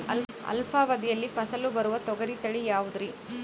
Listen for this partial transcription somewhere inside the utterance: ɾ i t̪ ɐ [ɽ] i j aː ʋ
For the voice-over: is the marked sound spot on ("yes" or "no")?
no